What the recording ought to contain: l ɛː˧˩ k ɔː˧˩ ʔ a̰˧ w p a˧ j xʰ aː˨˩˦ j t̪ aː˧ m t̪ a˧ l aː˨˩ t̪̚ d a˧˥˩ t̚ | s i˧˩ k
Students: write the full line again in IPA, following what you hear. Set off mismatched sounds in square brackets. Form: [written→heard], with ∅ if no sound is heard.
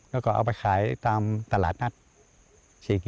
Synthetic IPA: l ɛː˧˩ k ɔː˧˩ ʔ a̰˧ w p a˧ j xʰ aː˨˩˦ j t̪ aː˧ m t̪ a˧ l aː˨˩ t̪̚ [d→n] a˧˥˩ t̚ | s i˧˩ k

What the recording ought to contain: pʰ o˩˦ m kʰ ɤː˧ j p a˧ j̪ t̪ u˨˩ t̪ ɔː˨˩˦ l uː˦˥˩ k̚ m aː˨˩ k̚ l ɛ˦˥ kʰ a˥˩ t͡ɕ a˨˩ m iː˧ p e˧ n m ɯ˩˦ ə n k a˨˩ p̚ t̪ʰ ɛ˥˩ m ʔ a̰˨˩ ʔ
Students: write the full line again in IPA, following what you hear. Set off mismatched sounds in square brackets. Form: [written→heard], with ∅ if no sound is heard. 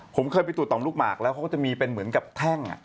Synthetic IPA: pʰ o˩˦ m kʰ ɤː˧ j p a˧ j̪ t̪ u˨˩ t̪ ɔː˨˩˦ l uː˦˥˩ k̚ m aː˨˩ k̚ l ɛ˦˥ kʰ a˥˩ t͡ɕ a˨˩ m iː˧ p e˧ n m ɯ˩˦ ə n k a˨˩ p̚ t̪ʰ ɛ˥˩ [m→ŋ] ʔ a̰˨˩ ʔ

